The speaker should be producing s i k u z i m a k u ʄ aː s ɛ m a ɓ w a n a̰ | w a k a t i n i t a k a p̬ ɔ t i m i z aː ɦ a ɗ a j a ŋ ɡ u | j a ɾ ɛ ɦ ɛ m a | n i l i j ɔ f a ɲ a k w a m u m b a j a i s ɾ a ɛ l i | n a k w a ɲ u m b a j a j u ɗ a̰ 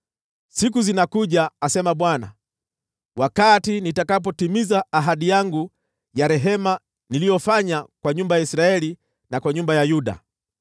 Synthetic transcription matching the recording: s i k u z i n a k u ʄ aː s ɛ m a ɓ w a n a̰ | w a k a t i n i t a k a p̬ ɔ t i m i z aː ɦ a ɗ i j a ŋ ɡ u | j a ɾ ɛ ɦ ɛ m a | n i l i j ɔ f a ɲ a k w a ɲ u m b a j a i s ɾ a ɛ l i | n a k w a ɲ u m b a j a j u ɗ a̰

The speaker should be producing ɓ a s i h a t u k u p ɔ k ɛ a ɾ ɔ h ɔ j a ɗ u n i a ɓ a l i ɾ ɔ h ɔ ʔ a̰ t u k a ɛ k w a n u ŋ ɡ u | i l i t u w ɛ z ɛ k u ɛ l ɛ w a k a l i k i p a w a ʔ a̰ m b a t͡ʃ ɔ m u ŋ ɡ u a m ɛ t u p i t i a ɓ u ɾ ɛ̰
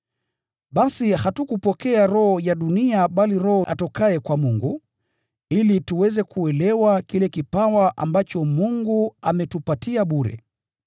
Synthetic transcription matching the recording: ɓ a s i h a t u k u p ɔ k ɛ a ɾ ɔ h ɔ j a ɗ u n i a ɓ a l i ɾ ɔ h ɔ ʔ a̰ t ɔ k a ɛ k w a m u ŋ ɡ u | i l i t u w ɛ z ɛ k u ɛ l ɛ w a k i l ɛ k i p a w a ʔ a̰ m b a t͡ʃ ɔ m u ŋ ɡ u a m ɛ t u p a t i a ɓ u ɾ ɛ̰

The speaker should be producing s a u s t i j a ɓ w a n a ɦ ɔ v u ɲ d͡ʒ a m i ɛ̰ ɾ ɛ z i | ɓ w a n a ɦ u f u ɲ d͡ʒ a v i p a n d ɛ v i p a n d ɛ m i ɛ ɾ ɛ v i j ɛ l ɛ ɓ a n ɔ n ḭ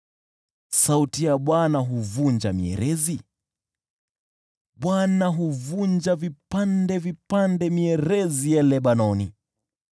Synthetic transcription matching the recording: s a u t i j a ɓ w a n a ɦ u v u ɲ d͡ʒ a m i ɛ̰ ɾ ɛ z i | ɓ w a n a ɦ u v u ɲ d͡ʒ a v i p a n d ɛ v i p a n d ɛ m i ɛ ɾ ɛ z i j ɛ l ɛ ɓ a n ɔ n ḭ

